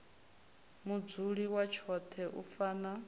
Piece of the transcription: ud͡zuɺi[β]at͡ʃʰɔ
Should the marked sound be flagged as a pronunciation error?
yes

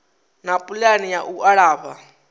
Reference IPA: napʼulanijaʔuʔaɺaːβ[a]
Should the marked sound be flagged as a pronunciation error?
no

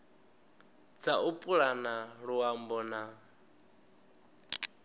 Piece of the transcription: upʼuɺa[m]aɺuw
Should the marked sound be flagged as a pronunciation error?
yes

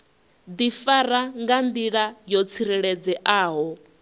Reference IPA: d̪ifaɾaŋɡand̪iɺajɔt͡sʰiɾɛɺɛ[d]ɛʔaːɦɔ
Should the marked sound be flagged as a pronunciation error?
yes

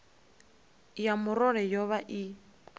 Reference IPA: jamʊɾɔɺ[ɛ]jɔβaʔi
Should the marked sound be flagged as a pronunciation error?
no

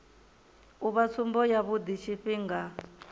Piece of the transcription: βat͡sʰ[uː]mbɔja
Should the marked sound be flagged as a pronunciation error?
yes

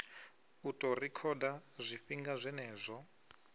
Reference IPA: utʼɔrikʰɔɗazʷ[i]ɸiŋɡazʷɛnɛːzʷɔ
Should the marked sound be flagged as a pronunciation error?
no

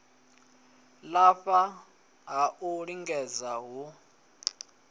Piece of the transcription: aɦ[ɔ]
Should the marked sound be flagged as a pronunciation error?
yes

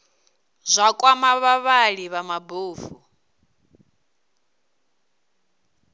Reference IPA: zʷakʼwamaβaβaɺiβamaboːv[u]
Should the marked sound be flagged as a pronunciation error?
no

